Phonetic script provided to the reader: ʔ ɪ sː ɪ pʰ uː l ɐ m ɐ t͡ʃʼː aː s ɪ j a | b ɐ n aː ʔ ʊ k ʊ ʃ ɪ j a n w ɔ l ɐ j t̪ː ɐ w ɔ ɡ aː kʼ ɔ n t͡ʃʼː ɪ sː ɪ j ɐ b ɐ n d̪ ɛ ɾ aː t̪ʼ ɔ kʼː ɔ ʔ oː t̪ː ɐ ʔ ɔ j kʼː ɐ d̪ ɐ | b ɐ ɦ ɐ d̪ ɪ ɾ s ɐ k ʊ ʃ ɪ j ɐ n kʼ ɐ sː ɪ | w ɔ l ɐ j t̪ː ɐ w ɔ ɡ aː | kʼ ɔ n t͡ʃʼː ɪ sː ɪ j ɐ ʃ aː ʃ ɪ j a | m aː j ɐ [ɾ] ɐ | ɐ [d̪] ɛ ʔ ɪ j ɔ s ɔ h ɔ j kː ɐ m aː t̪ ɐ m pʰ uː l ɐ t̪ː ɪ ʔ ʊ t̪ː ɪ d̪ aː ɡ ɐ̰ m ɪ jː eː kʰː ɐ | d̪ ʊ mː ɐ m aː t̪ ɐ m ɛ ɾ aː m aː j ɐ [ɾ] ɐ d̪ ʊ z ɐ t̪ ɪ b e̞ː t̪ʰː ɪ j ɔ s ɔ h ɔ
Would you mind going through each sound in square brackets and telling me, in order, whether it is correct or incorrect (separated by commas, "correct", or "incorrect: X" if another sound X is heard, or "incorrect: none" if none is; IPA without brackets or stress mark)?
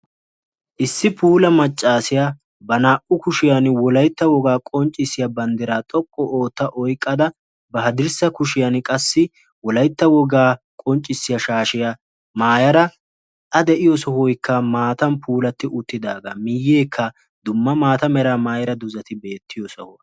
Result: correct, correct, correct